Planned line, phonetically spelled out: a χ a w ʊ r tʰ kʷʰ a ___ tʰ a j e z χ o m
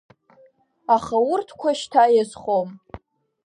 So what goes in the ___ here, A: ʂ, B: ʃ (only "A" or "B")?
B